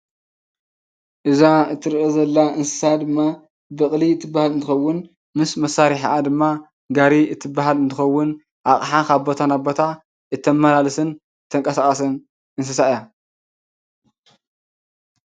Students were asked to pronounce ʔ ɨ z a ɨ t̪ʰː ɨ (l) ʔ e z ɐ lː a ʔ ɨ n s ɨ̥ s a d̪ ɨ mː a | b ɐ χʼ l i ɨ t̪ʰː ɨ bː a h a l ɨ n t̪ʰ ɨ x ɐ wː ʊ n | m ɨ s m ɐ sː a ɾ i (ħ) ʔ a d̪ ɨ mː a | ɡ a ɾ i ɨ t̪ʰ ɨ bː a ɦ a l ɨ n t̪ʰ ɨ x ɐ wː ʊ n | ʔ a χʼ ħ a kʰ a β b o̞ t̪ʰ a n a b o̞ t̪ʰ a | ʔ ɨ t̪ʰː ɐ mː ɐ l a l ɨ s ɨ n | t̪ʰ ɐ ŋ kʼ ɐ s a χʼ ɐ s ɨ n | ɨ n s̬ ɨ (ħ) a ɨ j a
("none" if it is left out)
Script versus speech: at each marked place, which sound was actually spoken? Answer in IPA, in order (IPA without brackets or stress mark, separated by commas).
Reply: ɾ, ħ, s